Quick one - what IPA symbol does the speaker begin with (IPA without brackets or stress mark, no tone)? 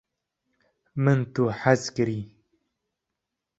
m